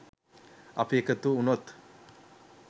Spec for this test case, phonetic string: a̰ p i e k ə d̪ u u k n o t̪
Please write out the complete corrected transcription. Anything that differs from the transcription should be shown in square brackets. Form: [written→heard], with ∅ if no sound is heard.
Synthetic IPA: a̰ p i e k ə [d̪→t̪] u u [k→∅] n o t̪